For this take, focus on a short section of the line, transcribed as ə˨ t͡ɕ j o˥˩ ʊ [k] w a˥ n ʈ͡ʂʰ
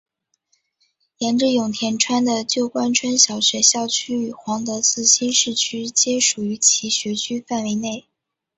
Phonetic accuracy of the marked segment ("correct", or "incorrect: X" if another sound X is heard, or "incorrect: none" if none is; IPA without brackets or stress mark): correct